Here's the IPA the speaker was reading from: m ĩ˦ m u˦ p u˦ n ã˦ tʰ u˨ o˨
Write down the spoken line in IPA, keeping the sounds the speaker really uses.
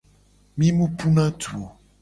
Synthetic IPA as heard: m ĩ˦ m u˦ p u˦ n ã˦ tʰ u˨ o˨